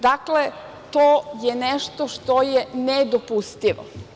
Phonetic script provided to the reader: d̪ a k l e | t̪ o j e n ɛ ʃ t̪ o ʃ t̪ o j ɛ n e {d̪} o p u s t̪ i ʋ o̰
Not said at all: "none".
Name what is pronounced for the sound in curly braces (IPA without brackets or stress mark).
d̪